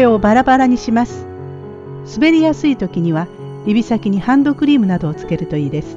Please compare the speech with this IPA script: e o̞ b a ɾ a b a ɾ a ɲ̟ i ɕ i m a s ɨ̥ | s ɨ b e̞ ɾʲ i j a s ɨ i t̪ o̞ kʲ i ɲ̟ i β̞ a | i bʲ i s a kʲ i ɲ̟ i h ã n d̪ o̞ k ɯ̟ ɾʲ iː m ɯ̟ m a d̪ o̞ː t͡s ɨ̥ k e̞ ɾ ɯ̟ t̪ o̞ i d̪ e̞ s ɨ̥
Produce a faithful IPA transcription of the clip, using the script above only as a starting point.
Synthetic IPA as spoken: e o̞ b a ɾ a b a ɾ a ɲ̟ i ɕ i m a s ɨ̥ | s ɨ b e̞ ɾʲ i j a s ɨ i t̪ o̞ kʲ i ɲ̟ i β̞ a | i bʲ i s a kʲ i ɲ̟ i h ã n d̪ o̞ k ɯ̟ ɾʲ iː m ɯ̟ n a d̪ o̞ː t͡s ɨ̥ k e̞ ɾ ɯ̟ t̪ o̞ iː d̪ e̞ s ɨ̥